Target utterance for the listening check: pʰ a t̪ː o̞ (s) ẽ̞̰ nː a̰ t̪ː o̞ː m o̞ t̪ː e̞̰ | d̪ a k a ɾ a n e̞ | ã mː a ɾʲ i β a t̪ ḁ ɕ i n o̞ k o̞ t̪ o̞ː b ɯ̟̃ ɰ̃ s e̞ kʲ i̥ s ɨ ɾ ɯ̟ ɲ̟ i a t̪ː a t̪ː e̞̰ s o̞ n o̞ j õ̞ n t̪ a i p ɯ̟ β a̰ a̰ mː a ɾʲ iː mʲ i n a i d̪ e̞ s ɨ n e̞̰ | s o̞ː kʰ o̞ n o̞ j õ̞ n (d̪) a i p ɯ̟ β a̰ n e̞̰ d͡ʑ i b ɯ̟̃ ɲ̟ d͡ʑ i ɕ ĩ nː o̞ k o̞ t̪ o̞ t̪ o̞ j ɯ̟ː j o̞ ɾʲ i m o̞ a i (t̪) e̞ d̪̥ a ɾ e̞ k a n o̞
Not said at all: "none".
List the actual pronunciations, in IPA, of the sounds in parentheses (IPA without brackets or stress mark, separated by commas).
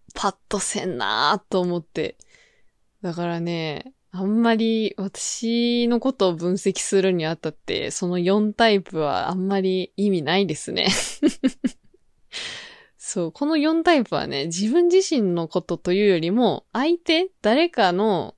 s, t̪, t̪